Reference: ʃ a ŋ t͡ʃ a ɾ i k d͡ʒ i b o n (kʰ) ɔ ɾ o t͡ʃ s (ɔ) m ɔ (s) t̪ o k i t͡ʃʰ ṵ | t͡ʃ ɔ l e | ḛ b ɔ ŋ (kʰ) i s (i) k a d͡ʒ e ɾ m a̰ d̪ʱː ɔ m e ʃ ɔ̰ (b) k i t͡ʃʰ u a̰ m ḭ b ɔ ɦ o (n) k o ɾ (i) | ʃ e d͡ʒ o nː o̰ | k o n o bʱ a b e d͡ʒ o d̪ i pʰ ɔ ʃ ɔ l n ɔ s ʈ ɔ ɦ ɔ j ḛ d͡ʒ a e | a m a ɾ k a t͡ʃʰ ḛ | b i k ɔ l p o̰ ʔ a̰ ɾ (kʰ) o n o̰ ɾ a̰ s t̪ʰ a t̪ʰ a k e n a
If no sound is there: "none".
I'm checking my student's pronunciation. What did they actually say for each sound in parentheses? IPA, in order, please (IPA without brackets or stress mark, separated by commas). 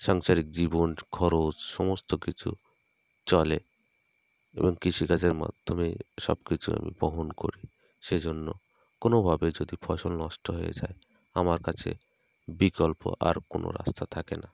kʰ, ɔ, s, k, i, b, n, i, k